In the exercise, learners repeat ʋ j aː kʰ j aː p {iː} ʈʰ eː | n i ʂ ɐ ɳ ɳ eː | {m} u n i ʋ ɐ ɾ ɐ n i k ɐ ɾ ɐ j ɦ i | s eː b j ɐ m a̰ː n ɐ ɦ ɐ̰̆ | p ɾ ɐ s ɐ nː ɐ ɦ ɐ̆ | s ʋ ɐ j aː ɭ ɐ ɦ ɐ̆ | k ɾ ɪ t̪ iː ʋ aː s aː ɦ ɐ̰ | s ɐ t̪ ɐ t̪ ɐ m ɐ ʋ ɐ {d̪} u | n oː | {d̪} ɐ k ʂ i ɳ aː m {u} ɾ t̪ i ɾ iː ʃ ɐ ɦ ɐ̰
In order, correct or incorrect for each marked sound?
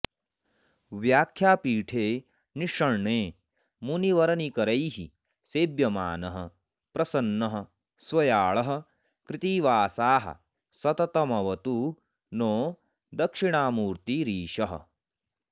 correct, correct, incorrect: t̪, correct, incorrect: uː

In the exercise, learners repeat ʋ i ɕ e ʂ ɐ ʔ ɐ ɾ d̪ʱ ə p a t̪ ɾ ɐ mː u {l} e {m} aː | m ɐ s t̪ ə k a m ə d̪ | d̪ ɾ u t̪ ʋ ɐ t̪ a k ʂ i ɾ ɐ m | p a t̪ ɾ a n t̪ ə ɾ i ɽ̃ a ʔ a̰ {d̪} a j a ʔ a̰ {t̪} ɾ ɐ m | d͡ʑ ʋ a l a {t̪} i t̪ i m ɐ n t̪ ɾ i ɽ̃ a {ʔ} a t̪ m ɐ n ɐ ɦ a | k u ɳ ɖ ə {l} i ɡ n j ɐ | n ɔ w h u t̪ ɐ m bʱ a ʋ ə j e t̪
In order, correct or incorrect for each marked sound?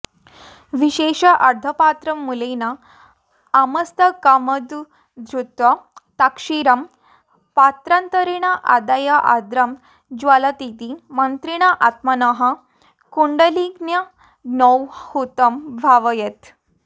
correct, incorrect: n, correct, incorrect: d̪, correct, correct, correct

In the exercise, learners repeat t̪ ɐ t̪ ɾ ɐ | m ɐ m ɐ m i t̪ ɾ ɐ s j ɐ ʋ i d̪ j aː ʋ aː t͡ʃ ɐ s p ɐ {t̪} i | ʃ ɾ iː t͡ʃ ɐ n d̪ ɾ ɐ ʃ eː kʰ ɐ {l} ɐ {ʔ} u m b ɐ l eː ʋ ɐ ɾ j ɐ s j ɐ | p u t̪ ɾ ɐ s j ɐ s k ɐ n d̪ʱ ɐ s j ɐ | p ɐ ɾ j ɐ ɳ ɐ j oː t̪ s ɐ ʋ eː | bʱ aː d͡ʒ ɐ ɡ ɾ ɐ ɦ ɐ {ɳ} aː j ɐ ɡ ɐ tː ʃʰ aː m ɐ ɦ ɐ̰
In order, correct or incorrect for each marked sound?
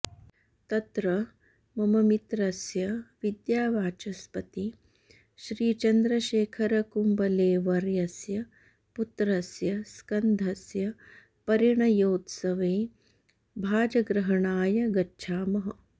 correct, incorrect: ɾ, incorrect: k, correct

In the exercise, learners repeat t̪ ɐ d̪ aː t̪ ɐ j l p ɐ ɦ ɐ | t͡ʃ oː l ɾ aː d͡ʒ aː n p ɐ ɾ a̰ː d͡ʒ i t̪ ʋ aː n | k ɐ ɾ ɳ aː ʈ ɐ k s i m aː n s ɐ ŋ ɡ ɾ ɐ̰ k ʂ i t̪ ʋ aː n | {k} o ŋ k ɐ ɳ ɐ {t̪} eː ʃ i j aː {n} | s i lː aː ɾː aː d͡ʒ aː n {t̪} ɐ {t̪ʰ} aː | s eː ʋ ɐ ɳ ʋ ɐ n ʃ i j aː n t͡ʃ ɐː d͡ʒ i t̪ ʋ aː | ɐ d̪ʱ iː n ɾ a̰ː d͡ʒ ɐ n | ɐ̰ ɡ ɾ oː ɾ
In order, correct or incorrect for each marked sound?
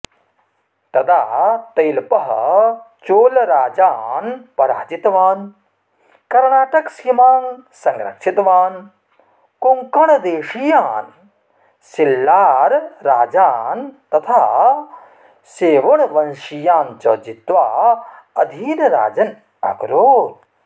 correct, incorrect: d̪, correct, correct, correct

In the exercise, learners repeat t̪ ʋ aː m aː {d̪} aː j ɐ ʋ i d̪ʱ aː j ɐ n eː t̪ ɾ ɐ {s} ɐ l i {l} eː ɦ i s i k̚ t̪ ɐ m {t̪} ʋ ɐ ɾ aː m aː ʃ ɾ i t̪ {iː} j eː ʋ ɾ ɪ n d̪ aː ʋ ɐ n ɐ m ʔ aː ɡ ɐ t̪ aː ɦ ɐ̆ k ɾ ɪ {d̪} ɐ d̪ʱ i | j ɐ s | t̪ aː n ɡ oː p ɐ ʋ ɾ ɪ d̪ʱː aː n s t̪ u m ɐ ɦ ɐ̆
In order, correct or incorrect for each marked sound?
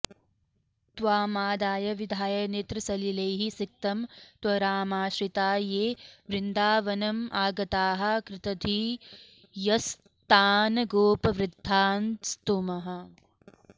correct, correct, correct, correct, incorrect: aː, incorrect: t̪

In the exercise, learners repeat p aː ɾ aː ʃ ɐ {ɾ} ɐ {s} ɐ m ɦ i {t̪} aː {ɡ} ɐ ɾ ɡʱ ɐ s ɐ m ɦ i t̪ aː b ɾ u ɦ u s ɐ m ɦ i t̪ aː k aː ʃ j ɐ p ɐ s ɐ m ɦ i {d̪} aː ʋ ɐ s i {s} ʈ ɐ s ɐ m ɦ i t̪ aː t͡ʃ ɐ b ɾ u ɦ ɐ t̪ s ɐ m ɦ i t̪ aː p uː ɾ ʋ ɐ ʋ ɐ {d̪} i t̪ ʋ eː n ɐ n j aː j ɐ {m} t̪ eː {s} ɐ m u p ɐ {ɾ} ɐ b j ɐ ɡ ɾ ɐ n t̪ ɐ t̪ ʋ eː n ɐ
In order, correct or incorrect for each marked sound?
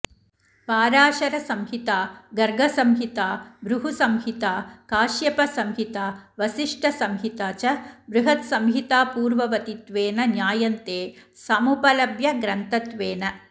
correct, correct, correct, correct, incorrect: t̪, incorrect: ʂ, incorrect: t̪, incorrect: n, correct, incorrect: l

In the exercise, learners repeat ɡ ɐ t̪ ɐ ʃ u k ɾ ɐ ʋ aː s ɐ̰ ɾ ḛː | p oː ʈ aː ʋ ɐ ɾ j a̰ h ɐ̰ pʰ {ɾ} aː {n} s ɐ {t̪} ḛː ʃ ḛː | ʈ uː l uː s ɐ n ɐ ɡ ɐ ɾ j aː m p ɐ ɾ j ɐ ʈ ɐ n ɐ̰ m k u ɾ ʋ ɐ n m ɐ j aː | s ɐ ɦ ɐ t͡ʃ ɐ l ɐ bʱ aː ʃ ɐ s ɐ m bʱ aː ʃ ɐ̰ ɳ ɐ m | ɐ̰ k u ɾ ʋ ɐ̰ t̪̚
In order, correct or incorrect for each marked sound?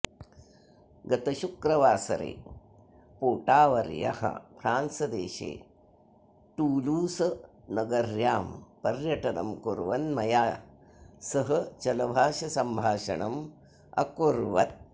correct, correct, incorrect: d̪

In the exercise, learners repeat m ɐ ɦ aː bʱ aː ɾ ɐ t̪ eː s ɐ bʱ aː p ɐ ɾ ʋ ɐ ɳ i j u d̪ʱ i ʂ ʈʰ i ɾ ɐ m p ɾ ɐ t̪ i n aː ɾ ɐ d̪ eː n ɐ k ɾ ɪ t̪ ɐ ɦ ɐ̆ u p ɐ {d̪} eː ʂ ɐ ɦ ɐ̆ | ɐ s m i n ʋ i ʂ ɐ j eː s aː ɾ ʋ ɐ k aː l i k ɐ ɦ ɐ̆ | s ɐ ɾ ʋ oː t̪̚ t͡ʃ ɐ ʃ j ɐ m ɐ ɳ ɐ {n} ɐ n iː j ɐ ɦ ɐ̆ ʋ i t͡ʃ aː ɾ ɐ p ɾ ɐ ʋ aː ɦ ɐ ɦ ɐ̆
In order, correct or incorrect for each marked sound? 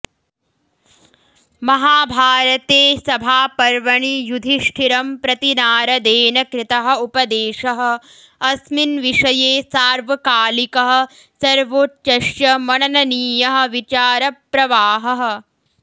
correct, correct

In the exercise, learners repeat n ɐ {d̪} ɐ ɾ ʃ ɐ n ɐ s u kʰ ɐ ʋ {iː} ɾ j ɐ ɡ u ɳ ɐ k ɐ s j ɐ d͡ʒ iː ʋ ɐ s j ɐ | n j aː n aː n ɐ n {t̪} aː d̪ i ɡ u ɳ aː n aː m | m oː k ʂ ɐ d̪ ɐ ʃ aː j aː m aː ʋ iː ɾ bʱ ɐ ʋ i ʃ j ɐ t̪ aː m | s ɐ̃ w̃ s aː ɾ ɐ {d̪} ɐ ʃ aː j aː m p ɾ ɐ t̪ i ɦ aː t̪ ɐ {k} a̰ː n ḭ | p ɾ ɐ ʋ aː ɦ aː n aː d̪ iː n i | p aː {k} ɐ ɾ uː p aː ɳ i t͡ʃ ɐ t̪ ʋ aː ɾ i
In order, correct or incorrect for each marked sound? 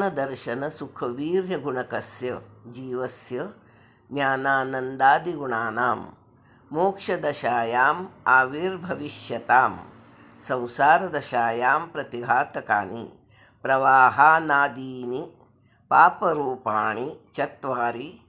correct, correct, incorrect: d̪, correct, correct, incorrect: p

